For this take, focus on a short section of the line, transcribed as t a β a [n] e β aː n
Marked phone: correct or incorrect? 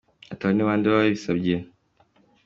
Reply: correct